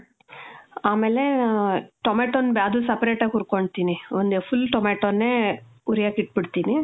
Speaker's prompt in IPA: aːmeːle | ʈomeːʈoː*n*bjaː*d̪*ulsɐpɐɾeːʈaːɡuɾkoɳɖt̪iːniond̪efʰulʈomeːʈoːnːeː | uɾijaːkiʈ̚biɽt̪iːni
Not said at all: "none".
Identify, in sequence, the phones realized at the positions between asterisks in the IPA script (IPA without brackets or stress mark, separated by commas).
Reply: n, d̪